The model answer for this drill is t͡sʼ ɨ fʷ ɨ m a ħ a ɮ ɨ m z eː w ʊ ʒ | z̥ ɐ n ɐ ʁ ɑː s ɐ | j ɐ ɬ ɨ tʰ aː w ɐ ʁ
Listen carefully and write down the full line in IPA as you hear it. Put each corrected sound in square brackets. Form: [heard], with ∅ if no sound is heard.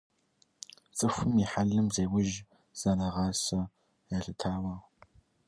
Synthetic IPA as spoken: t͡sʼ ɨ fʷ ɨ m [i] ħ a ɮ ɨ m z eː w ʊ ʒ | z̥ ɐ n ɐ ʁ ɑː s ɐ | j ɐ ɬ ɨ tʰ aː w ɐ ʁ